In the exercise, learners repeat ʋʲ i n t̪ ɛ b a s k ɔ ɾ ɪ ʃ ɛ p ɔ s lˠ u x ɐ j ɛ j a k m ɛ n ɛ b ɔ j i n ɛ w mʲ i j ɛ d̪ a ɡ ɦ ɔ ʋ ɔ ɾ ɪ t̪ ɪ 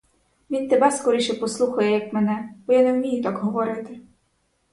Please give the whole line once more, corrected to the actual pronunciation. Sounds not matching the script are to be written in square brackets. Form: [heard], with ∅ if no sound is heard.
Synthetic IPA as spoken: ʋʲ i n t̪ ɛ b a s k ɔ ɾ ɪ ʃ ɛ p ɔ s lˠ u x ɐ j ɛ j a k m ɛ n ɛ b ɔ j [a] n ɛ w mʲ i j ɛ [t̪] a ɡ ɦ ɔ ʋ ɔ ɾ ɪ t̪ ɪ